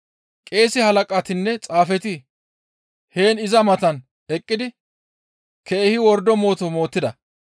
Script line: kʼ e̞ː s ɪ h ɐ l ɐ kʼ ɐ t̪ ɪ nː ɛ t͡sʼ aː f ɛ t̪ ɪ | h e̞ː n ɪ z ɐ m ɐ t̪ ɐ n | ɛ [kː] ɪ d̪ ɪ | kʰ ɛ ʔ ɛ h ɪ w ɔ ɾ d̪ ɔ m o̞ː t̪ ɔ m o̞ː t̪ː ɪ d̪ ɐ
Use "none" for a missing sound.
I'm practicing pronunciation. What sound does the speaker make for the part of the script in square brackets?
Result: kʼː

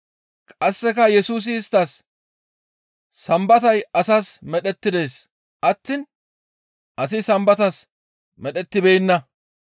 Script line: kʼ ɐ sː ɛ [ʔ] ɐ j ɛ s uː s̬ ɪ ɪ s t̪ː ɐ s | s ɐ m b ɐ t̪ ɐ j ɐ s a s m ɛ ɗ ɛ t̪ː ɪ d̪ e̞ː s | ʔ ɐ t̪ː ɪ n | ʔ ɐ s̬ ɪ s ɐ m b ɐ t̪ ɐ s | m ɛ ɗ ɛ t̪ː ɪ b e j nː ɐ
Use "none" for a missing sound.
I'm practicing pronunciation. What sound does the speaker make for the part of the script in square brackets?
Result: k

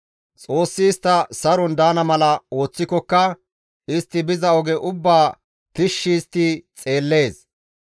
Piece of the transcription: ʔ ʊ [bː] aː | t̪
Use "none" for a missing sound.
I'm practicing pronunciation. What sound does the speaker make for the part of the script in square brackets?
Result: bː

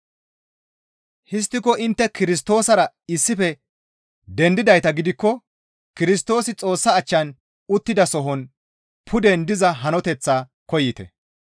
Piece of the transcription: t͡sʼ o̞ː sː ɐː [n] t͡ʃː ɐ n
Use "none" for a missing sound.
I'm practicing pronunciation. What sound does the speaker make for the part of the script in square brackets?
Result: none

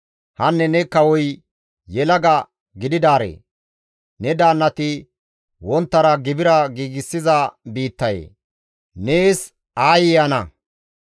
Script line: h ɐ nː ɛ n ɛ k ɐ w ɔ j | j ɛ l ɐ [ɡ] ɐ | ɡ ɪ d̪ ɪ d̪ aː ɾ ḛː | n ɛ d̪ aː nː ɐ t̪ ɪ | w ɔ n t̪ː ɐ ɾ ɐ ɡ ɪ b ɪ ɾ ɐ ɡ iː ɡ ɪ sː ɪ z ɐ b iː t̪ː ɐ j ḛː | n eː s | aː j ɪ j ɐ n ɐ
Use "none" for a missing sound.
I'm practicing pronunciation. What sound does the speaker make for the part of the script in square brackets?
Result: ɡ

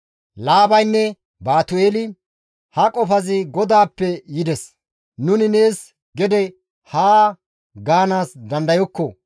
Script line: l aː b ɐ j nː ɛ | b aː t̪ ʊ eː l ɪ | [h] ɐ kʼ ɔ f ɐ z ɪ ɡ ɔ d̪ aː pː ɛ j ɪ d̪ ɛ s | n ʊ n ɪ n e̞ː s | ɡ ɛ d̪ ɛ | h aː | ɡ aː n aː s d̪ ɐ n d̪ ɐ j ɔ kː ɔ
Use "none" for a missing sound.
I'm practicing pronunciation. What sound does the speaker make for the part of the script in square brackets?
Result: h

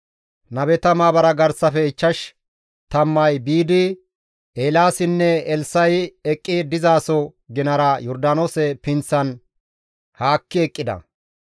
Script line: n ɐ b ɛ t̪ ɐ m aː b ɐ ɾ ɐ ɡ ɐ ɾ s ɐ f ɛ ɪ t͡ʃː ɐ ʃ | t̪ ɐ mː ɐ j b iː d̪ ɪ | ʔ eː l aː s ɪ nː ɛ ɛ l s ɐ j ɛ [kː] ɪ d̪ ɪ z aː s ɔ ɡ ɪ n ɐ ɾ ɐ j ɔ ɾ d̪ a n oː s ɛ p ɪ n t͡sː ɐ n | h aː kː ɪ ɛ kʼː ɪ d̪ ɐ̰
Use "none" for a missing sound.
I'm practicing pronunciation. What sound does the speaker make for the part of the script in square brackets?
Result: kʼː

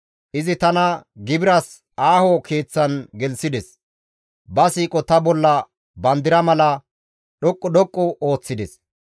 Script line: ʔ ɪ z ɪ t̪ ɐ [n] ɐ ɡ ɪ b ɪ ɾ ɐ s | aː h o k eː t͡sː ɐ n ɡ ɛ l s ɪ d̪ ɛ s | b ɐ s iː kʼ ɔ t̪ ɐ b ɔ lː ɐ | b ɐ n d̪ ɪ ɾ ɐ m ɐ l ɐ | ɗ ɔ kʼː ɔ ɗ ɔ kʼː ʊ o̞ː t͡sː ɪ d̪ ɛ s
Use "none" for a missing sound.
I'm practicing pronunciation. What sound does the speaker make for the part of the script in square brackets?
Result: n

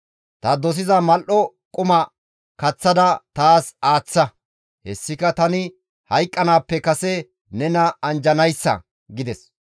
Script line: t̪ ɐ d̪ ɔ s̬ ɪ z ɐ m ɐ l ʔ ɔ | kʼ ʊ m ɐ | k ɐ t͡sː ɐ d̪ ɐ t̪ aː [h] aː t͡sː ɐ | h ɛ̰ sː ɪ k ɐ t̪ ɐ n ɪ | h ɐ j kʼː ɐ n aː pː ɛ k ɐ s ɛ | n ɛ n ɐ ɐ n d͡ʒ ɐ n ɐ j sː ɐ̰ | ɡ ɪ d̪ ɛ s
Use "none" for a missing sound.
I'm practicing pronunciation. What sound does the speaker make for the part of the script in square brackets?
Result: s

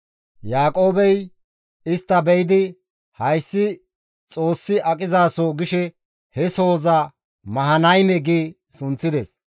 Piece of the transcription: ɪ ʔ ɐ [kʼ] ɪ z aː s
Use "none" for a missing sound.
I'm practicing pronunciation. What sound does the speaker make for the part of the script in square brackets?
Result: kʼ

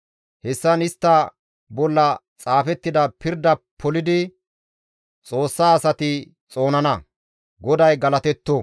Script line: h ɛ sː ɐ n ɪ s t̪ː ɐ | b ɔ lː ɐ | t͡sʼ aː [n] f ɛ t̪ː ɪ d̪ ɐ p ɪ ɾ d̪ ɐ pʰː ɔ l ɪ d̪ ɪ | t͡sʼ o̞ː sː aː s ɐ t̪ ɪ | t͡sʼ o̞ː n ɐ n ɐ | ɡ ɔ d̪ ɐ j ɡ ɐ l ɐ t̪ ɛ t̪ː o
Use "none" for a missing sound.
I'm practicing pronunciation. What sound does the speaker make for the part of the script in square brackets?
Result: none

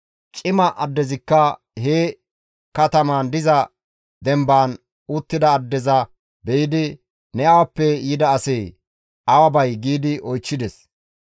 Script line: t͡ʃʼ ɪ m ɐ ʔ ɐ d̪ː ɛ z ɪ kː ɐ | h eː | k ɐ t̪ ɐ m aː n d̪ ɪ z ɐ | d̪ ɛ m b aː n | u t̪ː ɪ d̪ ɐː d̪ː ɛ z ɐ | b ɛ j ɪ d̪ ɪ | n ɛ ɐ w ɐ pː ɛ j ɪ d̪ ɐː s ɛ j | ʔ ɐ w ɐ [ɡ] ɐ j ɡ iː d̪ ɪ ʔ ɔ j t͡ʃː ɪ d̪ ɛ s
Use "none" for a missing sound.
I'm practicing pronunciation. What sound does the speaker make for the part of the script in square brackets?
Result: b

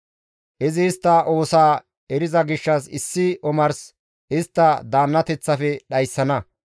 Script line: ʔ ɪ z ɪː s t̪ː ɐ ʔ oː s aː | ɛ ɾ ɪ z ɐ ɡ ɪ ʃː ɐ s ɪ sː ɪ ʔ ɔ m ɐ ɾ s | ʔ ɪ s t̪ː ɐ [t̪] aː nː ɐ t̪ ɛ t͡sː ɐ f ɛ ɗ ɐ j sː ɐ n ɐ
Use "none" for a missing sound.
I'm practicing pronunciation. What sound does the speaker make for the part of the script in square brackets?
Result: d̪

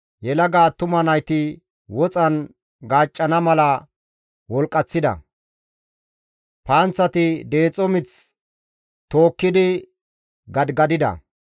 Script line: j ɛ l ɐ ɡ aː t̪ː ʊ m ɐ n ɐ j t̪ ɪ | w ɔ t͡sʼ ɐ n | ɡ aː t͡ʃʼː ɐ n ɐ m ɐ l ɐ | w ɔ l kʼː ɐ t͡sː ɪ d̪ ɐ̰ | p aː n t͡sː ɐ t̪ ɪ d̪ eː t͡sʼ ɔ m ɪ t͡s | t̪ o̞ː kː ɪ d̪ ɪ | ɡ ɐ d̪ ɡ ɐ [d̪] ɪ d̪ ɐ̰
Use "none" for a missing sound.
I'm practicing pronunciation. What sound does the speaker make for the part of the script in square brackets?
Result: d̪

